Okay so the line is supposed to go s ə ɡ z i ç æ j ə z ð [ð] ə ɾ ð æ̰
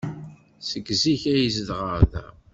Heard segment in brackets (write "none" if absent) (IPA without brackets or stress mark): ʁ